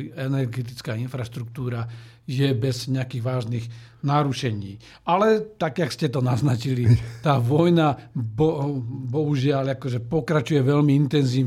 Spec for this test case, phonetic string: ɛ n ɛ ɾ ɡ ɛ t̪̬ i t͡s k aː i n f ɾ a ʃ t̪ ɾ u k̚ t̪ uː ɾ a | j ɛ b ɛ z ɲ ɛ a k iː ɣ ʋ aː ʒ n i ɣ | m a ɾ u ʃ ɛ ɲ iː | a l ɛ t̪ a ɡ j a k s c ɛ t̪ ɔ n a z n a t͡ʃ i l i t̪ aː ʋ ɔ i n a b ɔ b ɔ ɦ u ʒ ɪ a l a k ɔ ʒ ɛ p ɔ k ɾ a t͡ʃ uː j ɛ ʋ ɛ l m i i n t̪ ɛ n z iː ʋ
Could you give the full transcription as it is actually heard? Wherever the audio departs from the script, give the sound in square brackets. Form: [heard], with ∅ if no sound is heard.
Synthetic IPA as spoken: ɛ n ɛ ɾ ɡ ɛ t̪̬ i t͡s k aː i n f ɾ a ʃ t̪ ɾ u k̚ t̪ uː ɾ a | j ɛ b ɛ z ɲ ɛ a k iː ɣ ʋ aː ʒ n i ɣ | [n] a ɾ u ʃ ɛ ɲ iː | a l ɛ t̪ a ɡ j a k s c ɛ t̪ ɔ n a z n a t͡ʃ i l i t̪ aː ʋ ɔ [j] n a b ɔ b ɔ ɦ u ʒ ɪ a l a k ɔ ʒ ɛ p ɔ k ɾ a t͡ʃ [u] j ɛ ʋ ɛ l m i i n t̪ ɛ n z iː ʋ